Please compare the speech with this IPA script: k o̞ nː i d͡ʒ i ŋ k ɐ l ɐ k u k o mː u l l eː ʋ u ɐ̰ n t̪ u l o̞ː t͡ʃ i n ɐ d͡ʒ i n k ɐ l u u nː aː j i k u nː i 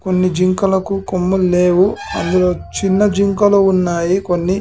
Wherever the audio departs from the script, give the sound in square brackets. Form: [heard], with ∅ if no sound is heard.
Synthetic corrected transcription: k o̞ nː i d͡ʒ i ŋ k ɐ l ɐ k u k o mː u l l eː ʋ u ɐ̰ n [d̪] u l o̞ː t͡ʃ i [nː] ɐ d͡ʒ i [ŋ] k ɐ l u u nː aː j i k [o] nː i